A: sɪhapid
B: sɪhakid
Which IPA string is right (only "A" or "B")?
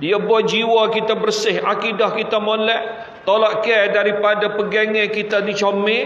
B